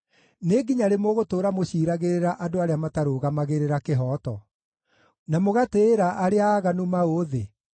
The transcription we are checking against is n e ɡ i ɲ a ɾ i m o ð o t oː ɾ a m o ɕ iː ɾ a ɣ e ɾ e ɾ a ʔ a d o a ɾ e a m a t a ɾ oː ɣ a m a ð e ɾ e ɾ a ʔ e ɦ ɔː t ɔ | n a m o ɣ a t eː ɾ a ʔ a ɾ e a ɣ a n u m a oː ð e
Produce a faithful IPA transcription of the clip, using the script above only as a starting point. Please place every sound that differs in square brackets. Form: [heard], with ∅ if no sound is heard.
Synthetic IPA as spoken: n e ɡ i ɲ a ɾ [e] m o [ɣ] o t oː ɾ a m o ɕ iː ɾ a ɣ e ɾ e ɾ a ʔ a d o a ɾ e a m a t a ɾ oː ɣ a m a [ɣ] e ɾ e ɾ a [k] e ɦ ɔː t ɔ | n a m o ɣ a t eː ɾ a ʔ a ɾ e a ɣ a n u m a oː ð e